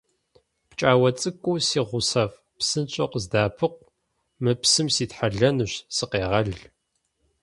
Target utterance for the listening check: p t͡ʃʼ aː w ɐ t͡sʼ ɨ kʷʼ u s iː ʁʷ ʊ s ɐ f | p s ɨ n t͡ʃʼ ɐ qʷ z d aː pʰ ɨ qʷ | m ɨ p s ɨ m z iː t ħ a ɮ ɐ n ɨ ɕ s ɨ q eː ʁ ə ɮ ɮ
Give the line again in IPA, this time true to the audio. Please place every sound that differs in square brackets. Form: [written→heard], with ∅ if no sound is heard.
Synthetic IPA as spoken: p t͡ʃʼ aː w ɐ t͡sʼ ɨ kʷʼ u s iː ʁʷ ʊ s ɐ f | p s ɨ n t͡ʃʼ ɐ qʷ z d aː pʰ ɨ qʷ | m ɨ p s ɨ m [z→s] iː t ħ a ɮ ɐ n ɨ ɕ s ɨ q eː ʁ [ə→ɐ] ɮ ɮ